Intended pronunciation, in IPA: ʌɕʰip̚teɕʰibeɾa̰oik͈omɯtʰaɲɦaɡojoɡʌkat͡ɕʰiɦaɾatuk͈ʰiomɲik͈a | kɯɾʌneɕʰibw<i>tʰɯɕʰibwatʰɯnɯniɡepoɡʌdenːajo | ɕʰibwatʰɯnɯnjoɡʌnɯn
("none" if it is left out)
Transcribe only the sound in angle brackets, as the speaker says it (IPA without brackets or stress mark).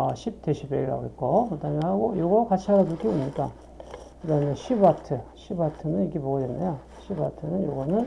a